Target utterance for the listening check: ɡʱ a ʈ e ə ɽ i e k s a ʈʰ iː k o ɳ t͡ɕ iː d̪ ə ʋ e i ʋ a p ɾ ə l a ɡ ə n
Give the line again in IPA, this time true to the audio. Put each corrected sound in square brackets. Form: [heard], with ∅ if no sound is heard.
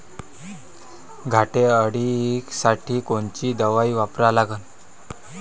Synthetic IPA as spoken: ɡʱ a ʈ e ə ɽ i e k s a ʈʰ iː k o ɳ t͡ɕ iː d̪ ə ʋ [a] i ʋ a p ɾ [a] l a ɡ ə n

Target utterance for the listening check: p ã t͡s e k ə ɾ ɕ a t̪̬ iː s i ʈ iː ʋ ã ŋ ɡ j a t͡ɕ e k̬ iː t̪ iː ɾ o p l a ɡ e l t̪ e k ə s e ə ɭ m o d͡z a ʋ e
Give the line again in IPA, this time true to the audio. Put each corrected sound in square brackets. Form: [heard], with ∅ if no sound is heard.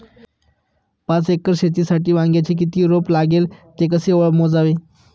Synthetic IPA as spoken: p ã t͡s e k ə ɾ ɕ [e] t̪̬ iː s [a] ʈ iː ʋ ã ŋ ɡ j a t͡ɕ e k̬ [i] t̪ iː ɾ o p l a ɡ e l t̪ e k ə s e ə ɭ m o d͡z a ʋ e

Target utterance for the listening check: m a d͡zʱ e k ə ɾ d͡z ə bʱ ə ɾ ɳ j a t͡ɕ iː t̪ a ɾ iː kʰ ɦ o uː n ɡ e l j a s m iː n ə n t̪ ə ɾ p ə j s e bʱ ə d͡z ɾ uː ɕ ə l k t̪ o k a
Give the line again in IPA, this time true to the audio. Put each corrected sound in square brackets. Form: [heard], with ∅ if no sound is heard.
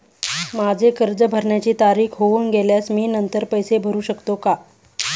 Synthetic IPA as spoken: m a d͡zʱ e k ə ɾ d͡z ə bʱ ə ɾ ɳ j a t͡ɕ iː t̪ a ɾ iː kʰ ɦ o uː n ɡ e l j a s m iː n ə n t̪ ə ɾ p ə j s e bʱ ə [∅] ɾ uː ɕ ə [∅] k t̪ o k a

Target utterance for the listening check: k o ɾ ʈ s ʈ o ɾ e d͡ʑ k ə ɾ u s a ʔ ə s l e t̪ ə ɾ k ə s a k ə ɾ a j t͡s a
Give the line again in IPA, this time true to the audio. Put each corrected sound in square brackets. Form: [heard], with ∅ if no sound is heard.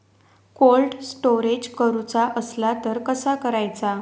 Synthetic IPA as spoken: k o [l] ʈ s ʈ o ɾ e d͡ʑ k ə ɾ u [t͡s] a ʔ ə s l [a] t̪ ə ɾ k ə s a k ə ɾ a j t͡s a

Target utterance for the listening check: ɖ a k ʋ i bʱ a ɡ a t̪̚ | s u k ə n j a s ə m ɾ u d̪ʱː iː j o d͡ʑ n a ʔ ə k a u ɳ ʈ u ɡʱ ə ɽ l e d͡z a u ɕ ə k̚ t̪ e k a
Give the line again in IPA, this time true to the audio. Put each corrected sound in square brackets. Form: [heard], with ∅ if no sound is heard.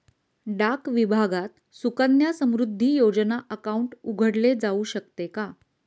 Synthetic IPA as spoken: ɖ a k ʋ i bʱ a ɡ a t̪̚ | s u k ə n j a s ə m ɾ u d̪ʱː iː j o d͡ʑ n a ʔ ə k a u ɳ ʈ u ɡʱ ə ɽ l e d͡z a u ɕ ə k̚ t̪ e k a

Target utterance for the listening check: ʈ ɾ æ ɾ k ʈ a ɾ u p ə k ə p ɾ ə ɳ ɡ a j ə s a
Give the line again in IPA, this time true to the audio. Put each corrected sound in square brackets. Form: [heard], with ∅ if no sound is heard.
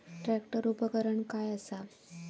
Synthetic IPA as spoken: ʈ ɾ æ [∅] k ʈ [ə] ɾ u p ə k ə [∅] ɾ ə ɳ [k] a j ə s a

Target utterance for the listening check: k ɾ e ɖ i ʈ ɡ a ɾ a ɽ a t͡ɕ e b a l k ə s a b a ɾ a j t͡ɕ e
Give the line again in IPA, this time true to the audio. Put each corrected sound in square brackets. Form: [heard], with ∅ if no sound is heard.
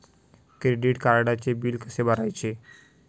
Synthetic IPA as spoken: k ɾ e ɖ i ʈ [k] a ɾ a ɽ a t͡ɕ e b [i] l k ə s [e] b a ɾ a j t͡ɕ e

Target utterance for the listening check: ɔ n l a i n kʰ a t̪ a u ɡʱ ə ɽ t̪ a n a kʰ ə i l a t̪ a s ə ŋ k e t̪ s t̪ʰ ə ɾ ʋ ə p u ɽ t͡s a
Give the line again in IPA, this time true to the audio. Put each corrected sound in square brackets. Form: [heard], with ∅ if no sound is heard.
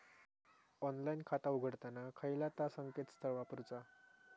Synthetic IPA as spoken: ɔ n l a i n kʰ a t̪ a u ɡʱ ə ɽ t̪ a n a kʰ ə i l a t̪ a s ə ŋ k e t̪ s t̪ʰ ə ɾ ʋ [a] p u [ɾ] t͡s a

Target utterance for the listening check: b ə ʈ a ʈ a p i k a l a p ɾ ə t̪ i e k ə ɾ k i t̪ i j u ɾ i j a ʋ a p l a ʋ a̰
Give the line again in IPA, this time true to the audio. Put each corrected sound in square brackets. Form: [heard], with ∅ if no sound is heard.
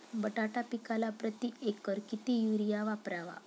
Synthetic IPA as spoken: b ə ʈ a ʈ a p i k a l a p ɾ ə t̪ i e k ə ɾ k i t̪ i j u ɾ i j a ʋ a p [ɾ] a ʋ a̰

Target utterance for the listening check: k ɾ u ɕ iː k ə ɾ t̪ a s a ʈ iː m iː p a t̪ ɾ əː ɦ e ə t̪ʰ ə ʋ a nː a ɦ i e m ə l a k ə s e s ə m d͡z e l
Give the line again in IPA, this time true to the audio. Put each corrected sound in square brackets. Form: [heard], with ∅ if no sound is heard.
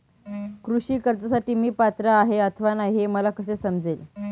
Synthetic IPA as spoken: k ɾ u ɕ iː k ə ɾ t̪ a s a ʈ iː m iː p a t̪ ɾ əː ɦ e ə t̪ʰ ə ʋ a [n] a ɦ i e m ə l a k ə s e s ə m d͡z e l

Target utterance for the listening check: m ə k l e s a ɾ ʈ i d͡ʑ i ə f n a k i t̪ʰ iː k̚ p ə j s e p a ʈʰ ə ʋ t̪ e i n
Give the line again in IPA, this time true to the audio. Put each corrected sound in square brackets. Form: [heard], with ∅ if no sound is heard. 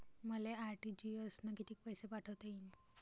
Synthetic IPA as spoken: m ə [∅] l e [∅] a ɾ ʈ i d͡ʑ i ə [s] n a k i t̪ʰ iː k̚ p ə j s e p a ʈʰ ə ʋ t̪ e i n

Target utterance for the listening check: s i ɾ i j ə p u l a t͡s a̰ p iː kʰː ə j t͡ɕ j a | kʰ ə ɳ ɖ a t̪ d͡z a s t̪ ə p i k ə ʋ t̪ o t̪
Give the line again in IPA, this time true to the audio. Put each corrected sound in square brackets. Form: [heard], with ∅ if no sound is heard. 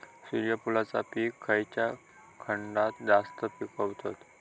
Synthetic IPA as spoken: s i ɾ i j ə p u l a t͡s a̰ p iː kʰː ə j t͡ɕ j a | kʰ ə ɳ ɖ a t̪ d͡z a s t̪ ə p i k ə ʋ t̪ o t̪

